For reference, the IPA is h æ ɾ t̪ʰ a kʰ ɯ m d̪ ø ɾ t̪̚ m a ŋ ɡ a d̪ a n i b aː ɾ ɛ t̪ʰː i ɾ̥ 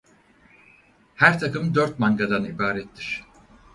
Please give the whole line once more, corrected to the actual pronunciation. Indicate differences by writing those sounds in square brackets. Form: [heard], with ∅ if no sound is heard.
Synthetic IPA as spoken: h æ ɾ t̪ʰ a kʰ ɯ m d̪ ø ɾ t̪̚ m a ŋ ɡ a d̪ a n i b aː ɾ ɛ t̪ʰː i ɾ̥